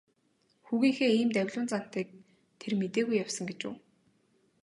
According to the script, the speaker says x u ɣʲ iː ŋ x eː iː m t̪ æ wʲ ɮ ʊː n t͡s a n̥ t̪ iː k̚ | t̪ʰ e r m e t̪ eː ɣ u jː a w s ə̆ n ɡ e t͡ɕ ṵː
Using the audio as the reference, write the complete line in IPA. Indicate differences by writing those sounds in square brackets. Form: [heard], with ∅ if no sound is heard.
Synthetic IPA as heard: x u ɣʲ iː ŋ x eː iː m t̪ æ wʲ ɮ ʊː n t͡s a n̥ t̪ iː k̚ | t̪ʰ e r m e t̪ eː ɣ u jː a w s ə̆ [ŋ] ɡ e t͡ɕ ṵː